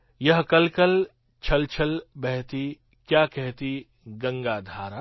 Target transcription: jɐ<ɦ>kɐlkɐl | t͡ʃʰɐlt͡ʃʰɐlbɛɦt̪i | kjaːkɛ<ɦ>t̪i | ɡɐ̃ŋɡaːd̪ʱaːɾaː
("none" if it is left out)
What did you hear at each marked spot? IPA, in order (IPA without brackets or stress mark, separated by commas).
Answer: ɦ, ɦ